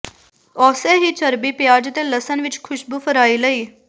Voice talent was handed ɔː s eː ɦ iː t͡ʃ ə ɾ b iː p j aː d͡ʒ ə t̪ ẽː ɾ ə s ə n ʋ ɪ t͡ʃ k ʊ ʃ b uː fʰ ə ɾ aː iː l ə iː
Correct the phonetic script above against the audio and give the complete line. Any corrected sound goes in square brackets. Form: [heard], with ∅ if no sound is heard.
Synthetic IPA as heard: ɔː s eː ɦ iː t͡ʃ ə ɾ b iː p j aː d͡ʒ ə t̪ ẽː [l] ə s ə n ʋ ɪ t͡ʃ [kʰ] ʊ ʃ b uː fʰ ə ɾ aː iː l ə iː